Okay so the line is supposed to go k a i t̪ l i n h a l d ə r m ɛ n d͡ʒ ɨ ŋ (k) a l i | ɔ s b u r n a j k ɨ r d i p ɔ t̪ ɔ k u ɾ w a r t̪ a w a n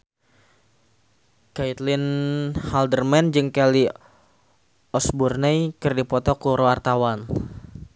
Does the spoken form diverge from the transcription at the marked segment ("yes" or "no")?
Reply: no